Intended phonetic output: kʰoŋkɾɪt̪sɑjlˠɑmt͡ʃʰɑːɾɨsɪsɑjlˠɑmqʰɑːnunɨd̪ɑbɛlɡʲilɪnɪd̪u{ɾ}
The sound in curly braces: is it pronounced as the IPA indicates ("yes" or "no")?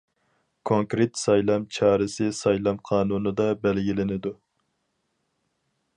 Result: no